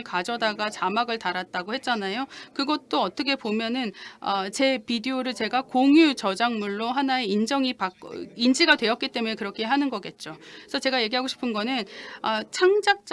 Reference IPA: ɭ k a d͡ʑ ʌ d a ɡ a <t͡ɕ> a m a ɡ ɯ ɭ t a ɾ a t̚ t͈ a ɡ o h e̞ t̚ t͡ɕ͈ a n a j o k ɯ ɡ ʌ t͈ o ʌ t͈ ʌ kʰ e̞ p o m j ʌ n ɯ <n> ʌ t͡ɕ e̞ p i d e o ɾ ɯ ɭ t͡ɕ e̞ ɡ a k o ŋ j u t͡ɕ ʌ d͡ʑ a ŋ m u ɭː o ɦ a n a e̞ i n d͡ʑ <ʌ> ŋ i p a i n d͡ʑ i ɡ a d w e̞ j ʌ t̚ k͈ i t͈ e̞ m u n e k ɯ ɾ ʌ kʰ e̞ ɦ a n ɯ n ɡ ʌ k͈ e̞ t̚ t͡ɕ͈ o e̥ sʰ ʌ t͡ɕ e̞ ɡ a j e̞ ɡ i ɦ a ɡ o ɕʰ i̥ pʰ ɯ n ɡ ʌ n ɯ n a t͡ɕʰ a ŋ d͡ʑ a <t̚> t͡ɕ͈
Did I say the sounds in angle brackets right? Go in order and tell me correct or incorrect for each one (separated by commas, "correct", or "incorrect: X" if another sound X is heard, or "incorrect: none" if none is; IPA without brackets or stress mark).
correct, correct, correct, incorrect: k̚